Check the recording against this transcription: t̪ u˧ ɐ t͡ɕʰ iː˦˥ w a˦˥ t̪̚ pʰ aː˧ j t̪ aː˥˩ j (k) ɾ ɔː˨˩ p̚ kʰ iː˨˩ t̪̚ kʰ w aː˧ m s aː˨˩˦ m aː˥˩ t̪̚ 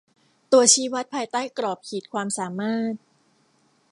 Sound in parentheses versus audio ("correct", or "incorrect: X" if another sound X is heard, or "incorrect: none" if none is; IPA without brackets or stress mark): correct